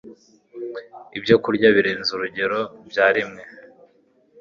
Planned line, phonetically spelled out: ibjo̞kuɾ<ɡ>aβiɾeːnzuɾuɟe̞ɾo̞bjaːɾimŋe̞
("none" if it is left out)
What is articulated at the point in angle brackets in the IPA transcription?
ɟ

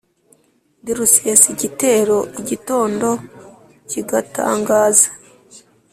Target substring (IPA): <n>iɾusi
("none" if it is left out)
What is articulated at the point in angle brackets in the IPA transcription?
d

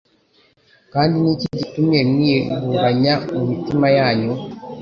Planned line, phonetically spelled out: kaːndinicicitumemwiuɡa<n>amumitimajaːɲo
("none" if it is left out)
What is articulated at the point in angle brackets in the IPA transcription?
ɲ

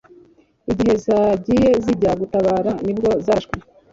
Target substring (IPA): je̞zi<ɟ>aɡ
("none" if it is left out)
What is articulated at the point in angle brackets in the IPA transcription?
ɟ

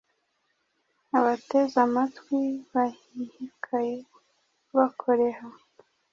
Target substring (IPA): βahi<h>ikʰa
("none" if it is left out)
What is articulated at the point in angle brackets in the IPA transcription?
h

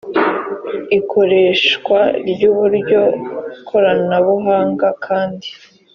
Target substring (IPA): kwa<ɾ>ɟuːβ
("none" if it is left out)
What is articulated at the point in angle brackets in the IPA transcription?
ɾ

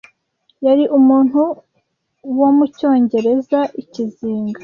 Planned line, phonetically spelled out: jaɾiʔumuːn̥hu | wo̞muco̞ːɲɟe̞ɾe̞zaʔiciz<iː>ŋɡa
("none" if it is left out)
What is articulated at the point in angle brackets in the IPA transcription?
iː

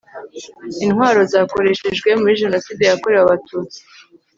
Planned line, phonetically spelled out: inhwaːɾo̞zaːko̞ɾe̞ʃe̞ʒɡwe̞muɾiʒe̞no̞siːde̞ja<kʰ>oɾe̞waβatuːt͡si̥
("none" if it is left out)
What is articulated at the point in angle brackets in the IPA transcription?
k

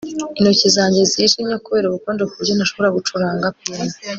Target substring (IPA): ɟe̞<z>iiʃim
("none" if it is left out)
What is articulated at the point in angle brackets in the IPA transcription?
z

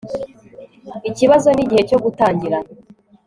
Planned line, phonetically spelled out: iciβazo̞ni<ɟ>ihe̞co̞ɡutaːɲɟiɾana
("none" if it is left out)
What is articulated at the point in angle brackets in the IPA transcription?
ɟ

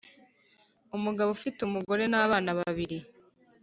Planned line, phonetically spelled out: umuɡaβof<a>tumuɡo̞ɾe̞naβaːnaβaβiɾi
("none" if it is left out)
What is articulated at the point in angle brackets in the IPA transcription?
i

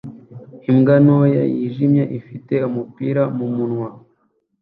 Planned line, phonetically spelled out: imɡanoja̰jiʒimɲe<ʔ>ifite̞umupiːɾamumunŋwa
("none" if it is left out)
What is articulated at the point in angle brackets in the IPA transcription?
ʔ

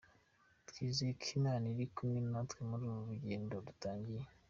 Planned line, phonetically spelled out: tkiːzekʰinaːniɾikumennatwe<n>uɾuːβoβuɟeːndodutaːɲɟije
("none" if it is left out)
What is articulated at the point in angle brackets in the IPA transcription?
m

